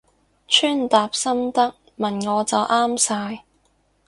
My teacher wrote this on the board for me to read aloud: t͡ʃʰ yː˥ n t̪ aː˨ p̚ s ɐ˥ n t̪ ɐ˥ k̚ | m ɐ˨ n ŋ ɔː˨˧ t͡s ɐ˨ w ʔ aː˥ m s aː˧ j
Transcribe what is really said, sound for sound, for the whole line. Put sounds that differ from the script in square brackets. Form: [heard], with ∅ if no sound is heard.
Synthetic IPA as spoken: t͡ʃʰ yː˥ n t̪ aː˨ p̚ s ɐ˥ [m] t̪ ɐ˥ k̚ | m ɐ˨ n ŋ ɔː˨˧ t͡s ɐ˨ w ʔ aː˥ m s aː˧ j